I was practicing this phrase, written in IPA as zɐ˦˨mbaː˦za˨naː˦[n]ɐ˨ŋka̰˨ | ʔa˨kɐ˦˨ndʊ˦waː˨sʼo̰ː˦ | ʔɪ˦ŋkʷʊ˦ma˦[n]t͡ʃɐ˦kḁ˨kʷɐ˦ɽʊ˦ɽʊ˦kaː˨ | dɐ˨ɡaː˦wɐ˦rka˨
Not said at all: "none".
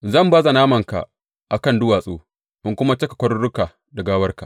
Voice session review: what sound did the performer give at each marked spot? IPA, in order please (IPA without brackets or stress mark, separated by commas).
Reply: m, none